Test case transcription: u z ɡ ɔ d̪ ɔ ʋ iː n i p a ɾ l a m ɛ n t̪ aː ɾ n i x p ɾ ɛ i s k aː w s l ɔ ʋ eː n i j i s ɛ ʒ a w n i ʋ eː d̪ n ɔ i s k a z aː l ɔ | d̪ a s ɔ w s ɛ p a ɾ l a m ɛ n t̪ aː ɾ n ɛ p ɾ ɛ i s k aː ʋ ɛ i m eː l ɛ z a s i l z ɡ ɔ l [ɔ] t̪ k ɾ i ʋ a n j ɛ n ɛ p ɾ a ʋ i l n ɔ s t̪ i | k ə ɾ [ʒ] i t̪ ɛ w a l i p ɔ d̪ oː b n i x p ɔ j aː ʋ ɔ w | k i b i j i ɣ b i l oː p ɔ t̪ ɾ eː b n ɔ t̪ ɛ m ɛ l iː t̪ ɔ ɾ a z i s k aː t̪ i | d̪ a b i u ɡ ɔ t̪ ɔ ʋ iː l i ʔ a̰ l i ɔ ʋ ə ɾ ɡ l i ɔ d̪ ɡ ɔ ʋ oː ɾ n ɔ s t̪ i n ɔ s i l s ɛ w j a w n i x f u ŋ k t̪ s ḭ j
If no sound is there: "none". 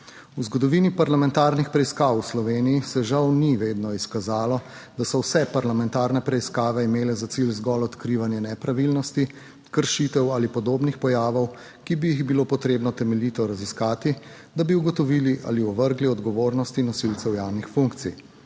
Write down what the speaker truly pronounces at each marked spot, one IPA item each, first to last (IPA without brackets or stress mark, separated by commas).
ɔ, ʃ